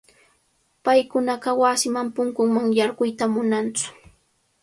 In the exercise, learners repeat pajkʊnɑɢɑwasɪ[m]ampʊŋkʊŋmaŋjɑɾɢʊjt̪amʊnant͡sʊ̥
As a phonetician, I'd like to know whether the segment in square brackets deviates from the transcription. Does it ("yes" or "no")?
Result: no